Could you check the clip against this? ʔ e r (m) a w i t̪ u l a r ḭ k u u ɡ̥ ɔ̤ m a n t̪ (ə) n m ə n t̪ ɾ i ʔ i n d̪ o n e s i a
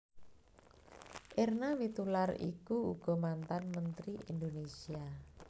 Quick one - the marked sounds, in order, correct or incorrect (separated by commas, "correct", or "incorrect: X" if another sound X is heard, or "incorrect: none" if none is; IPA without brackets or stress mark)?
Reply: incorrect: n, incorrect: a